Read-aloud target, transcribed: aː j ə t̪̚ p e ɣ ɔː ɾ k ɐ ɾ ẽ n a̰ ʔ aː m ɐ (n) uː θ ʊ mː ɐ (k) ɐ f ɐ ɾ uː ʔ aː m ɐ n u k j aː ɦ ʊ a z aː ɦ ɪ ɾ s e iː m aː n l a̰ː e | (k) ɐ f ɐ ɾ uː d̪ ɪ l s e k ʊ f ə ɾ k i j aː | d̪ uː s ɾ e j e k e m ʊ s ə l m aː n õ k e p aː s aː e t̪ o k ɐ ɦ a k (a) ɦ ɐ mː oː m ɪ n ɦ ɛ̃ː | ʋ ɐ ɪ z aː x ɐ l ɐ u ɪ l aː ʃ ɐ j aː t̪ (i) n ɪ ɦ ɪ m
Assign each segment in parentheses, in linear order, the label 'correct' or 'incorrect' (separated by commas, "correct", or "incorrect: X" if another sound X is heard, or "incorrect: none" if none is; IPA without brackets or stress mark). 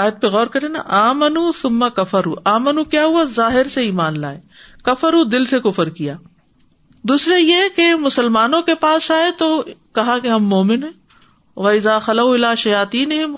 correct, correct, correct, incorrect: e, incorrect: iː